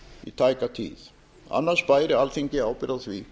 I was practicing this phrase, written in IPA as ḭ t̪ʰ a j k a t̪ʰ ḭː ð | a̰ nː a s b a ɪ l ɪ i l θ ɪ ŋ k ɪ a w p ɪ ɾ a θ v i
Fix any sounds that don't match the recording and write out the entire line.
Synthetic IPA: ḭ t̪ʰ a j k a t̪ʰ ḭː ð | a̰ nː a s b a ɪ ɾ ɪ a l θ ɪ ŋ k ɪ a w p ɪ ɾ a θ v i